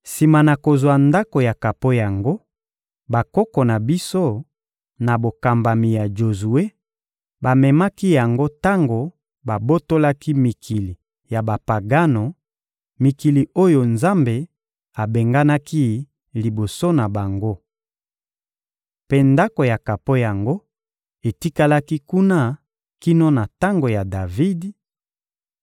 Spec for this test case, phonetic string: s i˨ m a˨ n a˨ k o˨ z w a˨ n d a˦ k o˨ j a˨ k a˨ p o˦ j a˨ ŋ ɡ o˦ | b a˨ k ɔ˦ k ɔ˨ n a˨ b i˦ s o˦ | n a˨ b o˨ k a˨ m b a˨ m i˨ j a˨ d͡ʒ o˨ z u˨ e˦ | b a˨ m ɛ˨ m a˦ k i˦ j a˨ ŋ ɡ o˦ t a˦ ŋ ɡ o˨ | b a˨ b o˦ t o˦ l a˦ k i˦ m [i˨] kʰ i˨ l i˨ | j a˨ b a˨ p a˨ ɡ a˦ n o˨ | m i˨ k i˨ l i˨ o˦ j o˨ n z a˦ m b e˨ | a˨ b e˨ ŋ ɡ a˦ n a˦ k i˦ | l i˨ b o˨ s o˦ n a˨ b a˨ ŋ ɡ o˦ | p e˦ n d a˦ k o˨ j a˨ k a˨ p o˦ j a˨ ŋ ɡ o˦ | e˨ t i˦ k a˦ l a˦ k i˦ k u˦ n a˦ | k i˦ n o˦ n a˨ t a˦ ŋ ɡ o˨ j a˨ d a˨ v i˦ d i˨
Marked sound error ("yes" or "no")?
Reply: no